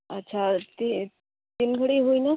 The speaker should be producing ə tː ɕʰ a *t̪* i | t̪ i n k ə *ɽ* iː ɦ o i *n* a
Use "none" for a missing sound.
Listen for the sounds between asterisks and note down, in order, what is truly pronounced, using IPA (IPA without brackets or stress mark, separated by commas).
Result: t̪, ɽ, n